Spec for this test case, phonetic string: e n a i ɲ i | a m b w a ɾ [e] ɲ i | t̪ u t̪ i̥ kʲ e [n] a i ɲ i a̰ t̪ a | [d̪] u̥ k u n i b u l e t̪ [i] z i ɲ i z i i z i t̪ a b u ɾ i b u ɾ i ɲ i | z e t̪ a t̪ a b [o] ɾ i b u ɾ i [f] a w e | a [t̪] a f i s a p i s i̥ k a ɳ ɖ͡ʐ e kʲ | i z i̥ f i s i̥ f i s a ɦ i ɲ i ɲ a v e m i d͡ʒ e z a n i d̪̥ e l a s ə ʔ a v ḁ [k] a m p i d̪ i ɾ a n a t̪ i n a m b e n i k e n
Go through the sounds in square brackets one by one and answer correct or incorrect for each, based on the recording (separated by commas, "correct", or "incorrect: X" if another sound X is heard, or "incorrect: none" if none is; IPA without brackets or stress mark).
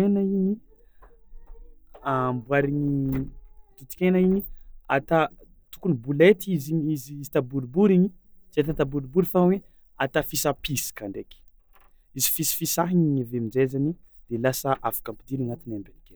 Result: incorrect: i, correct, incorrect: t̪, correct, incorrect: u, correct, correct, correct